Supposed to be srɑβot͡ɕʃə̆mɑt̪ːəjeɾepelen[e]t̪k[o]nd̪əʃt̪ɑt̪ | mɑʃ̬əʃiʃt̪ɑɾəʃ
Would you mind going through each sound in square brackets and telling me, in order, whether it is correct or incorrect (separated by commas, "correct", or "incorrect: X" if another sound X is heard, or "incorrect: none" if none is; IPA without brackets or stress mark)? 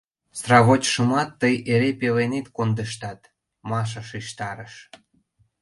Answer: correct, correct